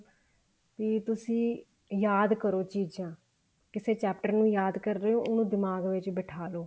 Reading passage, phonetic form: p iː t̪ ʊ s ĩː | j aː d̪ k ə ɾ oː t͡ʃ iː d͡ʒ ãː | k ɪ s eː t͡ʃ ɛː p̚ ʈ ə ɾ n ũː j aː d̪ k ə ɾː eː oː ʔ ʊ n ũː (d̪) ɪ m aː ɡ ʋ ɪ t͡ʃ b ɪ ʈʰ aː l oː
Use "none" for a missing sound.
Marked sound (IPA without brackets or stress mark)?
d̪